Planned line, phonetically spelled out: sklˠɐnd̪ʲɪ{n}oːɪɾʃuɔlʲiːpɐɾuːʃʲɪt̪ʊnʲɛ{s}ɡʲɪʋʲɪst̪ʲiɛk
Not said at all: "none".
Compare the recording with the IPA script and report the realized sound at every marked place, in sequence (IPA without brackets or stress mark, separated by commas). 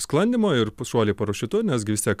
m, s